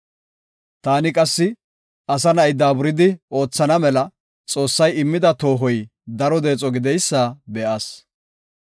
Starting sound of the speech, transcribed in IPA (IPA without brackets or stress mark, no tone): t̪